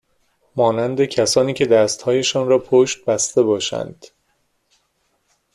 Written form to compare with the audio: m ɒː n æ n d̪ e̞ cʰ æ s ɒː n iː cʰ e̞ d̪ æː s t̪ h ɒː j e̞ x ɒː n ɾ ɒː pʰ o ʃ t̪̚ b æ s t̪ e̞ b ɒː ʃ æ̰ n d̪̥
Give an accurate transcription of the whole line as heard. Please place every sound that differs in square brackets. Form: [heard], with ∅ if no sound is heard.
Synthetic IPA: m ɒː n æ n d̪ e̞ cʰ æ s ɒː n iː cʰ e̞ d̪ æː s t̪ h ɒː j e̞ [ʃ] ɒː n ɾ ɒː pʰ o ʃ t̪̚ b æ s t̪ e̞ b ɒː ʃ æ̰ n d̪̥